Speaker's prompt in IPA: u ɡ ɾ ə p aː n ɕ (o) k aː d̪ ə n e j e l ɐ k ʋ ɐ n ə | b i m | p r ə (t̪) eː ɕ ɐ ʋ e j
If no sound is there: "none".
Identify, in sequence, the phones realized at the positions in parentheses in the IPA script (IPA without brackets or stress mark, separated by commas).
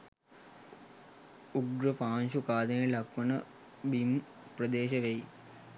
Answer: u, d̪